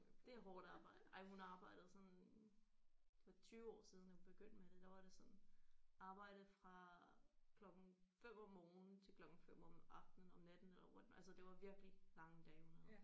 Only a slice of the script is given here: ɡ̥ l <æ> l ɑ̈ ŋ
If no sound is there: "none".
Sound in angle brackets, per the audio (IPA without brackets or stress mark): i